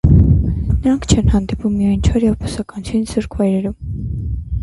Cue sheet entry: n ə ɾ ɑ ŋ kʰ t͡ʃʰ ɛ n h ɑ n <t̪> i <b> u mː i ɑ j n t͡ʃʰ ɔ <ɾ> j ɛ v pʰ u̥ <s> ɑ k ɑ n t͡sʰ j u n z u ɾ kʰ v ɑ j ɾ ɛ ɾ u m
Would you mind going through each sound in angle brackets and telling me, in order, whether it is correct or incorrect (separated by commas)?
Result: incorrect, incorrect, correct, correct